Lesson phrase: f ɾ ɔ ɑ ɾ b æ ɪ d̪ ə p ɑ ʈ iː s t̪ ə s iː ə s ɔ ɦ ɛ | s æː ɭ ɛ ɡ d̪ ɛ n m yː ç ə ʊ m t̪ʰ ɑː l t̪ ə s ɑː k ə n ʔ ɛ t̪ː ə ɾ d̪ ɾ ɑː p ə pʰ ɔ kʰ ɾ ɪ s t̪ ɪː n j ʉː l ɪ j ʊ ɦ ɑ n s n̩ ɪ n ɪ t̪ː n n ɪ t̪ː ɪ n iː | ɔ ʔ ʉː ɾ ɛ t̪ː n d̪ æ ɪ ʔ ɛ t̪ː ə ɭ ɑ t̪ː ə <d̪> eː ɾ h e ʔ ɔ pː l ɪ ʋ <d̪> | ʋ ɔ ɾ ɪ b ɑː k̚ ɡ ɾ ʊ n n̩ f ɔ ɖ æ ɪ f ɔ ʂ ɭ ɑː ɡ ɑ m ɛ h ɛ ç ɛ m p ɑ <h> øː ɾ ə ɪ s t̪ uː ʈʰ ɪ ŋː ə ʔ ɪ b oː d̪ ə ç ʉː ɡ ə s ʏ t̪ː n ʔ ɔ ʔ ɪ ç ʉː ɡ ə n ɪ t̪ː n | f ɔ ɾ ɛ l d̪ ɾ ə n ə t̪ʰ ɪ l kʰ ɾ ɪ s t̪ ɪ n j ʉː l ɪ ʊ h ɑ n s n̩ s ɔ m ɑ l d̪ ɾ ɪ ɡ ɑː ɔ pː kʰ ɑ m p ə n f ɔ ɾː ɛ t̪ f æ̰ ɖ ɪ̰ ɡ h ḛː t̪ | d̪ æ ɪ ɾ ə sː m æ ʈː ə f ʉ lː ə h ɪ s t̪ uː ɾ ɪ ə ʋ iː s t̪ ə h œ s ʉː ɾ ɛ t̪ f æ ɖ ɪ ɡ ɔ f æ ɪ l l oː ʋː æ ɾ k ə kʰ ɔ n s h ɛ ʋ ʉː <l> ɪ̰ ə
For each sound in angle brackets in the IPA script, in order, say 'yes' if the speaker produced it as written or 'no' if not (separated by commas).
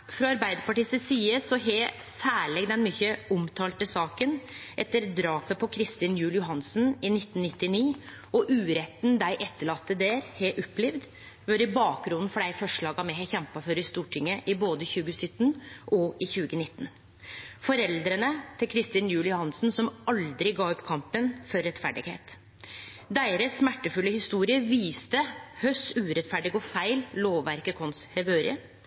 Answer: yes, yes, no, no